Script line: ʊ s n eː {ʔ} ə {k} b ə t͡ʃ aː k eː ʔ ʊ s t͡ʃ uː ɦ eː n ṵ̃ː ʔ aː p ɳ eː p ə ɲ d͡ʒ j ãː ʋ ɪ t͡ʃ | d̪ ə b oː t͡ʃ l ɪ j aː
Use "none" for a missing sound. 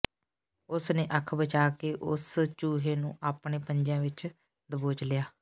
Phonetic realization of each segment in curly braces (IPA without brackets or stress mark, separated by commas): ʔ, kʰ